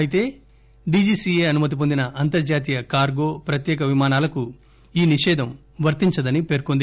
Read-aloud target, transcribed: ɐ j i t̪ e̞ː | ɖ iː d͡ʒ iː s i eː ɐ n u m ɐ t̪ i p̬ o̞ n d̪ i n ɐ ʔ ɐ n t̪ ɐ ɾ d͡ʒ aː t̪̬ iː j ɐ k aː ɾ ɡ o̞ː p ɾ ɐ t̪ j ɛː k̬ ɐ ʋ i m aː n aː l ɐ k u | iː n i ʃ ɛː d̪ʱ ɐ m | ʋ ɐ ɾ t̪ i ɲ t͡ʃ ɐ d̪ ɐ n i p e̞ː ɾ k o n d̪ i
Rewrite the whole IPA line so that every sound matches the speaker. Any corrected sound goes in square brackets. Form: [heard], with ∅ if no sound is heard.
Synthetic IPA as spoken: ɐ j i t̪ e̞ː | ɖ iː d͡ʒ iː s i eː ɐ n u m ɐ t̪ i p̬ o̞ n d̪ i n ɐ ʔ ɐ n t̪ ɐ ɾ d͡ʒ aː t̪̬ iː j ɐ k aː ɾ ɡ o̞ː p ɾ ɐ t̪ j ɛː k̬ ɐ ʋ i m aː n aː l ɐ k u | iː n i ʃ ɛː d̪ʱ ɐ m | ʋ ɐ ɾ t̪ i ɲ t͡ʃ ɐ d̪ ɐ n i p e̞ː ɾ k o n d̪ i

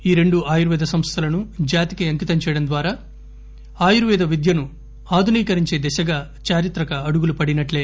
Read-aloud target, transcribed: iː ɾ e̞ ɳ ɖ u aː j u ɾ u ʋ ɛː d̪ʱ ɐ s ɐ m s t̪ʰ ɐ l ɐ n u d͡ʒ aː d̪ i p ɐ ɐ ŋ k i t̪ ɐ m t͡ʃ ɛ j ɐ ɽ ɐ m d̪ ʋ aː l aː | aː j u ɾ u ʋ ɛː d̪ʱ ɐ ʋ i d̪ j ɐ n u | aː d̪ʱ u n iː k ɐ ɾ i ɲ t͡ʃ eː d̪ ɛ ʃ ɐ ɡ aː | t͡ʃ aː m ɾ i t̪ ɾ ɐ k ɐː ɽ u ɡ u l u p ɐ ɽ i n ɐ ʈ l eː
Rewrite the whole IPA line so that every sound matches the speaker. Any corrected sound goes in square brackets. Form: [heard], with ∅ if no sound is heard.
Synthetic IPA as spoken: iː ɾ e̞ ɳ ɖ u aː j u ɾ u ʋ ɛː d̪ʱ ɐ s ɐ m s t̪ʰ ɐ l ɐ n u d͡ʒ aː [t̪] i [k] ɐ ɐ ŋ k i t̪ ɐ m t͡ʃ ɛ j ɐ ɽ ɐ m d̪ ʋ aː [ɾ] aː | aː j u ɾ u ʋ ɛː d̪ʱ ɐ ʋ i d̪ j ɐ n u | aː d̪ʱ u n iː k ɐ ɾ i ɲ t͡ʃ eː d̪ ɛ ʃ ɐ ɡ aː | t͡ʃ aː [∅] ɾ i t̪ ɾ ɐ k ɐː ɽ u ɡ u l u p ɐ ɽ i n ɐ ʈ l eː

